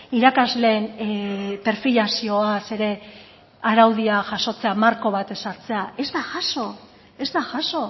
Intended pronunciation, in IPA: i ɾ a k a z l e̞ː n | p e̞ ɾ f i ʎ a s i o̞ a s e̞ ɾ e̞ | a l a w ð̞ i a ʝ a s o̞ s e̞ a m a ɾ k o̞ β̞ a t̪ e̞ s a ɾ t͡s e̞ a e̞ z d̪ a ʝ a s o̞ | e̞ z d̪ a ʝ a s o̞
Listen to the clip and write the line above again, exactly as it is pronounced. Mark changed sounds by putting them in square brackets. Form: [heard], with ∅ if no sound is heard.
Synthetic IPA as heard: i ɾ a k a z l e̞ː n | p e̞ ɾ f i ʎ a s i o̞ a s e̞ ɾ e̞ | a [ɾ] a w ð̞ i a ʝ a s o̞ [t͡s] e̞ a m a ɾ k o̞ β̞ a t̪ e̞ s a ɾ t͡s e̞ a e̞ z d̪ a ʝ a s o̞ | e̞ z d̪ a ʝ a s o̞